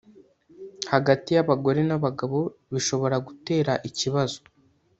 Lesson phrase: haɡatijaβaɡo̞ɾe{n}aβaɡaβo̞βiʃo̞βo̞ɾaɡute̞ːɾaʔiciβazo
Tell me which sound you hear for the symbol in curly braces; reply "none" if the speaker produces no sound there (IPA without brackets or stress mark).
n